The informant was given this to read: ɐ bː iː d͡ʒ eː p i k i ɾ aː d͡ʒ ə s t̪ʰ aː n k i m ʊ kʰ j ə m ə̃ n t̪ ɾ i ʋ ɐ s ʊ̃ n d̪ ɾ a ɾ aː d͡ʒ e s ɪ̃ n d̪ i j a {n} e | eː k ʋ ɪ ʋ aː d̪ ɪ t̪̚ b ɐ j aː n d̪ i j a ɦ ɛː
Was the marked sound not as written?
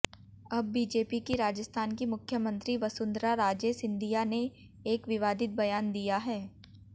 no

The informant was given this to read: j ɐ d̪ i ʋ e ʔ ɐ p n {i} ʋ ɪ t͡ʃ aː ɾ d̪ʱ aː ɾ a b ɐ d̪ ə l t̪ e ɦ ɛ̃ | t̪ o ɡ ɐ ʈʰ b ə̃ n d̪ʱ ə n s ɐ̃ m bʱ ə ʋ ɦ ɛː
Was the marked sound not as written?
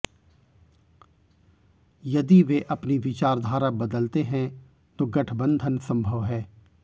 no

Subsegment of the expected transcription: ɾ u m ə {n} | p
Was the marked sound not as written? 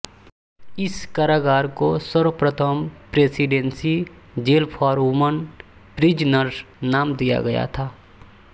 no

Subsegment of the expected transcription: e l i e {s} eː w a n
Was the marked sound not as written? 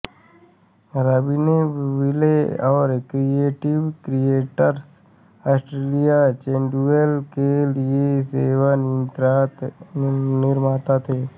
no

